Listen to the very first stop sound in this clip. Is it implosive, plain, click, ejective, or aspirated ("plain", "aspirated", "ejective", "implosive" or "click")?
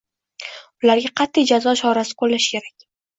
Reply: plain